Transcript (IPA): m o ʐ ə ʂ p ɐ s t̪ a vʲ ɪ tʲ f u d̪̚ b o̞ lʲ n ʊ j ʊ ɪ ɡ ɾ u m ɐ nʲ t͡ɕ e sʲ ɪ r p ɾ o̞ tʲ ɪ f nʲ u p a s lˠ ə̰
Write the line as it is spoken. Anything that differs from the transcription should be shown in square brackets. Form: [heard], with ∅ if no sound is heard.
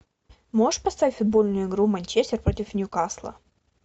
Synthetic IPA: m o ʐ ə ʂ p ɐ s t̪ a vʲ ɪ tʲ f [ʊ] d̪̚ b o̞ lʲ n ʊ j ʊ ɪ ɡ ɾ u m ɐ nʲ t͡ɕ e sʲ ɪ r p ɾ o̞ tʲ ɪ f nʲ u [k] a s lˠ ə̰